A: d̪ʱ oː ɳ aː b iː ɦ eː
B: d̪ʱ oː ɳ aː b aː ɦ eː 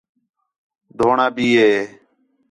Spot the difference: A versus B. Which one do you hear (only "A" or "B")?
A